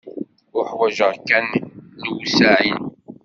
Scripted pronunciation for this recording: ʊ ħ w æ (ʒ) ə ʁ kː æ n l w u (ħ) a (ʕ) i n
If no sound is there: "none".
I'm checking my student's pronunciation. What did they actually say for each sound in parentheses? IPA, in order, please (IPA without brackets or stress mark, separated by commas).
ʒ, s, ʕ